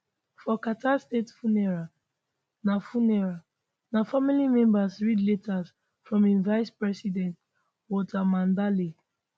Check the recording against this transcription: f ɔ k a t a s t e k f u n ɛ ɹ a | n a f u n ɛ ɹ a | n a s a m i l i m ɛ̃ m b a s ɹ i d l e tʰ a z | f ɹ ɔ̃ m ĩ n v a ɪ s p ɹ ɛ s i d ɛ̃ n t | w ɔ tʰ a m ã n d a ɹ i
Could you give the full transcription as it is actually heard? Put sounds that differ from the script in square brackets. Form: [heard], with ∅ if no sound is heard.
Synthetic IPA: f ɔ k a t a s t e [t] f u n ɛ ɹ a | n a f u n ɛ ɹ a | n a [f] a m i l i m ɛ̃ m b a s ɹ i d l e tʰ a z | f ɹ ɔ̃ m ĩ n v a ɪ s p ɹ ɛ s i d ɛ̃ n t | w ɔ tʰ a m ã n d a [l] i